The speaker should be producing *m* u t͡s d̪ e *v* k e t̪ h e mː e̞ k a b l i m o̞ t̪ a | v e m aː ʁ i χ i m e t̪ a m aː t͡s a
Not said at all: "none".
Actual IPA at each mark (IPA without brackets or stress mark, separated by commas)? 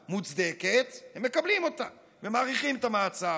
m, none